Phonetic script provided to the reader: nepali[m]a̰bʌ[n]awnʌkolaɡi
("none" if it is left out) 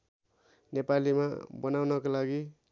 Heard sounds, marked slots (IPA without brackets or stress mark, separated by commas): m, n